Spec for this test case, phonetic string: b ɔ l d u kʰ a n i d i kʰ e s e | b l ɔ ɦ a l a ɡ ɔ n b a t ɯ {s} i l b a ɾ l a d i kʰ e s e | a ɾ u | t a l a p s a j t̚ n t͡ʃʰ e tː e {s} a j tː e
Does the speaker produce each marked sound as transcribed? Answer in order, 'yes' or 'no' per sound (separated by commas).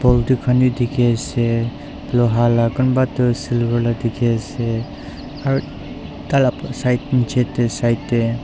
yes, yes